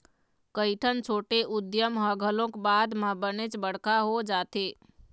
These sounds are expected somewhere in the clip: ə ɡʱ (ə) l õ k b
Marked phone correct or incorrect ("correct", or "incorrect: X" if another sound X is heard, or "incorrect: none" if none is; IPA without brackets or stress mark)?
correct